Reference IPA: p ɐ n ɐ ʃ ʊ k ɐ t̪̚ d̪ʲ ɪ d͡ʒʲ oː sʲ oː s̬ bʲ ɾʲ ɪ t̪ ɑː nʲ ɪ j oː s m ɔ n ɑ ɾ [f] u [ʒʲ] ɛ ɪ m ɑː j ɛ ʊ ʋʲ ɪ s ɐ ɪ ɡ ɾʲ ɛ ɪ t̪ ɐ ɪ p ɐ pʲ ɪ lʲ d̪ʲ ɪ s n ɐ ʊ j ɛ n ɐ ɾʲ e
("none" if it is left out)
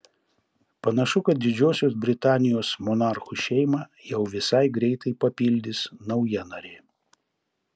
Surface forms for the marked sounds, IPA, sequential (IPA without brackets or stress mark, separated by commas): x, ʃʲ